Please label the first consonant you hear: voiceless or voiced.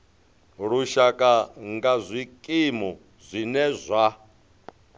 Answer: voiced